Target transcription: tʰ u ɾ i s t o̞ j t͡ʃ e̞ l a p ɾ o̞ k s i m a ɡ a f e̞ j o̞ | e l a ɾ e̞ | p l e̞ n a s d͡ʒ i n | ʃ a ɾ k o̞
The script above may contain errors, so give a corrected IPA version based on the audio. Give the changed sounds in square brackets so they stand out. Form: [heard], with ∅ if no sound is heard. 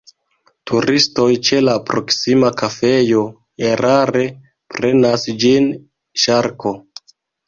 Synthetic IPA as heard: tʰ u ɾ i s t o̞ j t͡ʃ e̞ l a p ɾ o̞ k s i m a [k] a f e̞ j o̞ | e [ɾ] a ɾ e̞ | p [ɾ] e̞ n a s d͡ʒ i n | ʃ a ɾ k o̞